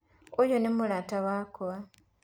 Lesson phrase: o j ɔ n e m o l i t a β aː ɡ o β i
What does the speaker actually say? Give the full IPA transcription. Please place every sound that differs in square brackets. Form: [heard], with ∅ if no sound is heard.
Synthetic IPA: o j [o] n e m [u] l [a] t a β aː [k] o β [a]